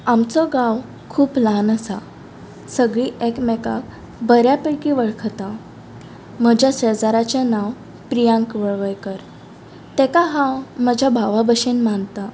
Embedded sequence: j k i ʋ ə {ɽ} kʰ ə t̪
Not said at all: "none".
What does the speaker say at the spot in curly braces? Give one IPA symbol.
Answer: ɭ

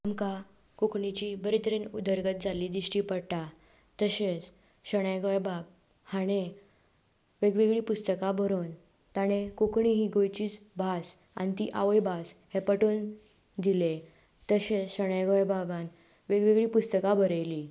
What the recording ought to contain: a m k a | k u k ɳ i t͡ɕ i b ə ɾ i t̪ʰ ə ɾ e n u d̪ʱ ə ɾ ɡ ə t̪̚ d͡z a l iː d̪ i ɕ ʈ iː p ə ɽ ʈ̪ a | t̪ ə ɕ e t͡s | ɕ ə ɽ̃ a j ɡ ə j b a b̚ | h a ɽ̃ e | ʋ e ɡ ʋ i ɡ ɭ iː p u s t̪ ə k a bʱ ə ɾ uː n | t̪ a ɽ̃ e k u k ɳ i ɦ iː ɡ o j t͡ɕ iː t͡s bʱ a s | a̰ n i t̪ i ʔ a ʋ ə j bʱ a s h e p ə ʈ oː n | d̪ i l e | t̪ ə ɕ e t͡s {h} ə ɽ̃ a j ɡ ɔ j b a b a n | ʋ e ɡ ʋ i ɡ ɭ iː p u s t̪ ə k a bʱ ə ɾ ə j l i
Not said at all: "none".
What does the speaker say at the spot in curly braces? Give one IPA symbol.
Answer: ɕ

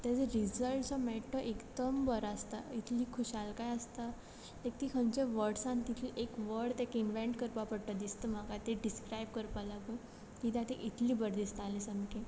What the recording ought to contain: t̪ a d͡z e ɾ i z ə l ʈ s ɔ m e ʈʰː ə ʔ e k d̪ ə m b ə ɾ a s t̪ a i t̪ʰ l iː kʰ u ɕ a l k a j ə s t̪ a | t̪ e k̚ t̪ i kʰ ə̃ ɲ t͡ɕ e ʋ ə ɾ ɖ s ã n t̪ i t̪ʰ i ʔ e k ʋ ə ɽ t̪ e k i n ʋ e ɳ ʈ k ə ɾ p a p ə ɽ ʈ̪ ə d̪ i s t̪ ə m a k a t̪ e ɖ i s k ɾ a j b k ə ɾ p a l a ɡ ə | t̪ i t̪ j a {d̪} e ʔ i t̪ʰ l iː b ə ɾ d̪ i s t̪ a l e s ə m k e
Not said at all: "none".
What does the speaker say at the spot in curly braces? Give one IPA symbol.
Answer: t̪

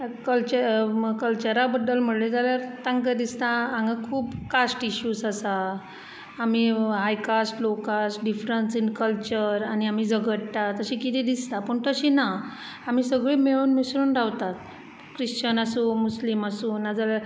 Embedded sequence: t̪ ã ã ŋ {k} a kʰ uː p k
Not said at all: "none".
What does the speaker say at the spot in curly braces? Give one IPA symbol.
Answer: ɡ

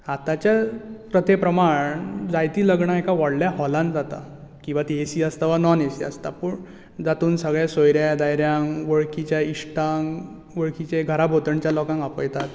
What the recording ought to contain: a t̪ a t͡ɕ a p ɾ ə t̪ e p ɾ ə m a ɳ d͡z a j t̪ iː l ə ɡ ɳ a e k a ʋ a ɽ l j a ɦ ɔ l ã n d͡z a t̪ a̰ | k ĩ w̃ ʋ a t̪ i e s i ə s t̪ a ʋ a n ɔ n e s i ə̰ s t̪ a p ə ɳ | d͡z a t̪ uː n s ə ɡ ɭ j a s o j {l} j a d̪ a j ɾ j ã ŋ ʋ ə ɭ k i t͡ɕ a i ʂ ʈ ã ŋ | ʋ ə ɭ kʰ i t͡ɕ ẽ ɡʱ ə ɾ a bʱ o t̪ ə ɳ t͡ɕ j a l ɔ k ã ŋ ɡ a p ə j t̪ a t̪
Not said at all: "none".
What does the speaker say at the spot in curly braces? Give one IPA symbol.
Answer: ɾ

